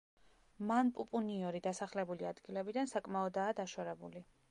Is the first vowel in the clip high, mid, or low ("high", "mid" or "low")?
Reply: low